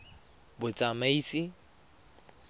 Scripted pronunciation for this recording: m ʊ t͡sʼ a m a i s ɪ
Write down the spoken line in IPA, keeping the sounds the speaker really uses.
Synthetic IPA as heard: b ʊ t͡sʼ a m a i s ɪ